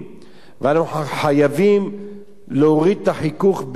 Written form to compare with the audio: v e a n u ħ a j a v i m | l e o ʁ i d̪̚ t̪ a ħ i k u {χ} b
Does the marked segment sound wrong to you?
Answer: no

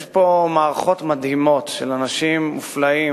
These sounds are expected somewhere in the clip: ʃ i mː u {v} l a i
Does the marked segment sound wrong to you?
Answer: yes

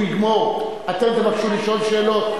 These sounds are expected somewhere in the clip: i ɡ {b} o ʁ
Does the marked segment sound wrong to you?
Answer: yes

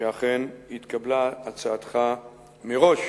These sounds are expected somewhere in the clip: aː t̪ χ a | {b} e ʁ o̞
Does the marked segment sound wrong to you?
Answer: yes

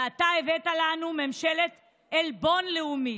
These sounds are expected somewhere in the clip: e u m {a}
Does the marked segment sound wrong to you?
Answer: yes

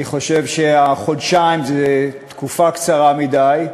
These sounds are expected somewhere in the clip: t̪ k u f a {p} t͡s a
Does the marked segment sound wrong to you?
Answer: yes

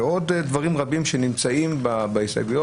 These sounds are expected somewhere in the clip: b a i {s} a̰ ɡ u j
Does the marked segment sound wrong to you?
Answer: no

